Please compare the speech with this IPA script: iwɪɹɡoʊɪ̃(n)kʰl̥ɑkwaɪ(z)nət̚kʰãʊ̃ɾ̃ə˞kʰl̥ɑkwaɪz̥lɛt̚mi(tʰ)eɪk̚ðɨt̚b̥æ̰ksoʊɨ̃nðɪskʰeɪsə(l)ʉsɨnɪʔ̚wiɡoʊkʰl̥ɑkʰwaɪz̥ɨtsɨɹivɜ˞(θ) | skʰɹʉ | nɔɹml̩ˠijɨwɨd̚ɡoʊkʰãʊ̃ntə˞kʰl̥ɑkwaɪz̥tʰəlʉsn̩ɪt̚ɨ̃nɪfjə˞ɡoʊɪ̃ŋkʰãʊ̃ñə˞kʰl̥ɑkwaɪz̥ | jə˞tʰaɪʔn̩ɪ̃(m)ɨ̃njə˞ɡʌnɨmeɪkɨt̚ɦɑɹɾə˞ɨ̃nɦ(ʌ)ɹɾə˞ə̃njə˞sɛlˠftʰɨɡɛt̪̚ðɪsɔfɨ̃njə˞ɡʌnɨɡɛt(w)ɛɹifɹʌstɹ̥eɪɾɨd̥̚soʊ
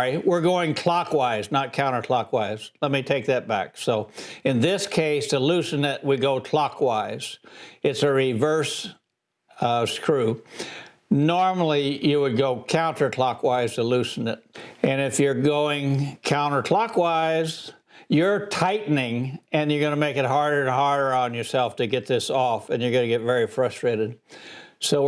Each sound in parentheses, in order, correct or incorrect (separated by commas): incorrect, correct, correct, correct, incorrect, incorrect, incorrect, incorrect